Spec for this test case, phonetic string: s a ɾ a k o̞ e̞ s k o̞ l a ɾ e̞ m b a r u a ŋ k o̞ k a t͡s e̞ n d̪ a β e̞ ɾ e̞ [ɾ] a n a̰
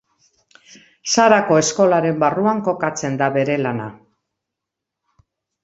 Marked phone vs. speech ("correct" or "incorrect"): incorrect